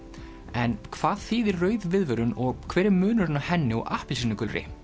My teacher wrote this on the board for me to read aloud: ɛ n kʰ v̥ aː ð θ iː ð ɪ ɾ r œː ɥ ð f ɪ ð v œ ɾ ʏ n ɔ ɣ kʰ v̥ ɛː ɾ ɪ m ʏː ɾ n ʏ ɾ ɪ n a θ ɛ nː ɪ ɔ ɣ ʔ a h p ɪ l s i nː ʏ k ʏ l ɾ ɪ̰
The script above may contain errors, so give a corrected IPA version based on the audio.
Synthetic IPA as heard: ɛ n kʰ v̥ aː ð θ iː ð ɪ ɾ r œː ɥ ð v ɪ ð v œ ɾ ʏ n ɔ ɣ kʰ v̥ ɛː ɾ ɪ m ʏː n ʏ ɾ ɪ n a h ɛ nː ɪ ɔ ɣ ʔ a h p ɪ l s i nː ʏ k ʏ l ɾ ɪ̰